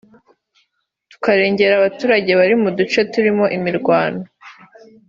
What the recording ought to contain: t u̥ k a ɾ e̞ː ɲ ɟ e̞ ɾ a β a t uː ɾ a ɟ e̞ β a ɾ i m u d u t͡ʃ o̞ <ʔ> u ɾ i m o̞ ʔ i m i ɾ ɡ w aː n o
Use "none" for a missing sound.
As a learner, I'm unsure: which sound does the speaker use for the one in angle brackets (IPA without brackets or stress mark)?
t